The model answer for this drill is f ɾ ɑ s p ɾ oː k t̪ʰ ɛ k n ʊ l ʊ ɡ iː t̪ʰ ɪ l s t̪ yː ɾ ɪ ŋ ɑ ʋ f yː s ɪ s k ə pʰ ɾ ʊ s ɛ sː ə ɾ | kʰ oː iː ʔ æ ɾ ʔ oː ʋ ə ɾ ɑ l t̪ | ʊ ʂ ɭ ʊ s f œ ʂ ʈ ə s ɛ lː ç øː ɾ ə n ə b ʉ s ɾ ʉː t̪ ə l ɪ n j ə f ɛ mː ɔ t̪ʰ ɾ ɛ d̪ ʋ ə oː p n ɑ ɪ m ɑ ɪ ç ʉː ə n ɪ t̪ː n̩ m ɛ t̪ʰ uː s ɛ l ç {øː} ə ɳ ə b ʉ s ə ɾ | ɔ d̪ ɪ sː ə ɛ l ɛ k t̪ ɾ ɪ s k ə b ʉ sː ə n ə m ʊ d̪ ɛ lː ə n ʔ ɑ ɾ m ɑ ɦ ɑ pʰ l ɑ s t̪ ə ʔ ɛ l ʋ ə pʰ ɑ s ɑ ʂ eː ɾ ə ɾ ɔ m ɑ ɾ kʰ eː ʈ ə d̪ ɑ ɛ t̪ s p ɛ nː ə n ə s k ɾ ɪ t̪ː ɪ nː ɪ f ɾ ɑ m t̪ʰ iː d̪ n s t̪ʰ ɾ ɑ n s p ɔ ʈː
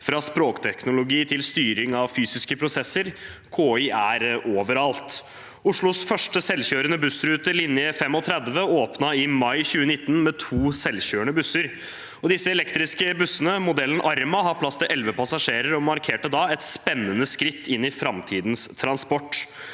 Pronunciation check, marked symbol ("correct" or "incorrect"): correct